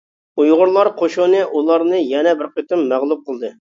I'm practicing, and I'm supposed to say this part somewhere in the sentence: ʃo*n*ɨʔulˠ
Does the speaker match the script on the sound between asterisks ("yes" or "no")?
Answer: yes